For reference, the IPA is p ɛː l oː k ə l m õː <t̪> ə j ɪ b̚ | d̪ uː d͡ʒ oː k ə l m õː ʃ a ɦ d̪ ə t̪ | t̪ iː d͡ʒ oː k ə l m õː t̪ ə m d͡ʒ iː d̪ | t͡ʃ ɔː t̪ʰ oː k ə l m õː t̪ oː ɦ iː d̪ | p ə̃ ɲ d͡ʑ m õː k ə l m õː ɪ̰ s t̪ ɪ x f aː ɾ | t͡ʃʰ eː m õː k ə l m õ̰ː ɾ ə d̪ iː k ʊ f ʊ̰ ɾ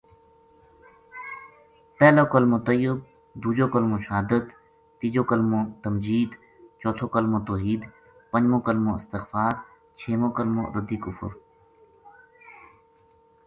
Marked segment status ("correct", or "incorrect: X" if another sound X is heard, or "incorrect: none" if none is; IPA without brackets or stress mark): correct